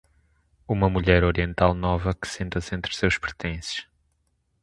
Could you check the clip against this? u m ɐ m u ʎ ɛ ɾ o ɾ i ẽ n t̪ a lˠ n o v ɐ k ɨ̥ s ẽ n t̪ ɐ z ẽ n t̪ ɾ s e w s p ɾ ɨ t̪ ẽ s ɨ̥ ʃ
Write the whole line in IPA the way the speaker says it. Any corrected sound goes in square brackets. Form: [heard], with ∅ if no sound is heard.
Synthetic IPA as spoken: u m ɐ m u ʎ ɛ ɾ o ɾ i ẽ n t̪ a lˠ n [ɔ] v ɐ k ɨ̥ s ẽ n t̪ ɐ [s] ẽ n t̪ ɾ s e w [ʃ] p ɾ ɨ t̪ ẽ s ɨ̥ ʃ